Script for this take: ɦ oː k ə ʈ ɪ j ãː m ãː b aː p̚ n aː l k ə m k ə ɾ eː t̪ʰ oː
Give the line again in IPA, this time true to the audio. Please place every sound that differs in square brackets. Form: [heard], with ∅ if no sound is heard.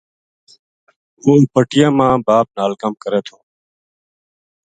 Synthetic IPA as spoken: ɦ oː [p] ə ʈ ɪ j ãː m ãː b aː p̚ n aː l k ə m k ə ɾ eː t̪ʰ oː